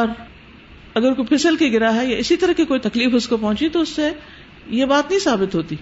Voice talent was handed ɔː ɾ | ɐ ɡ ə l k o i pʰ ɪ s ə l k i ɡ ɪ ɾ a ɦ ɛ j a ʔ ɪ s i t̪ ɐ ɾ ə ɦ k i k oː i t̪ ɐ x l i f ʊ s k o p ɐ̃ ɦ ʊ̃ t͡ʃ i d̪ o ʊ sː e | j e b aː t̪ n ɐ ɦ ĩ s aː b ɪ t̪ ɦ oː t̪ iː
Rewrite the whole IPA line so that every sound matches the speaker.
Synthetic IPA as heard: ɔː ɾ | ɐ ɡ ə ɾ k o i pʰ ɪ s ə l k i ɡ ɪ ɾ a ɦ ɛ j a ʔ ɪ s i t̪ ɐ ɾ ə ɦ k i k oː i t̪ ɐ k l iː f ʊ s k o p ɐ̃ ɦ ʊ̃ t͡ʃ i t̪ o ʊ sː e | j e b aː t̪ n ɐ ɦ ĩ s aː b ɪ t̪ ɦ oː t̪ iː